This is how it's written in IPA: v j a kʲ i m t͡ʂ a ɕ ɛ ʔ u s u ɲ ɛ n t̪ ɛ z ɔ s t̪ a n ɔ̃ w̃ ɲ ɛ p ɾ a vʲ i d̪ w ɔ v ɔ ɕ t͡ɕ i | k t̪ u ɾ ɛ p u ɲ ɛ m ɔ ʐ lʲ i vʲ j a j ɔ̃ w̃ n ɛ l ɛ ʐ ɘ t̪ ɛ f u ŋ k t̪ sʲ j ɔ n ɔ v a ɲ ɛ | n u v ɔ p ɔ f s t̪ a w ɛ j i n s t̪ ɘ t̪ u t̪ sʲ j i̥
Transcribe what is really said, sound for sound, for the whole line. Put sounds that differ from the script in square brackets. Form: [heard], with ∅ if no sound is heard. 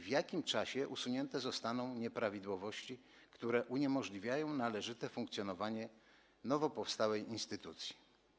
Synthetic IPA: v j a kʲ i m t͡ʂ a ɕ ɛ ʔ u s u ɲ ɛ n t̪ ɛ z ɔ s t̪ a n ɔ̃ w̃ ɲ ɛ p ɾ a vʲ i d̪ w ɔ v ɔ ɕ t͡ɕ i | k t̪ u ɾ ɛ [ʔ] u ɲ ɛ m ɔ ʐ lʲ i vʲ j a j ɔ̃ w̃ n [a] l ɛ ʐ ɘ t̪ ɛ f u ŋ k t̪ sʲ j ɔ n ɔ v a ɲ ɛ | n [ɔ] v ɔ p ɔ f s t̪ a w ɛ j i n s t̪ ɘ t̪ u t̪ sʲ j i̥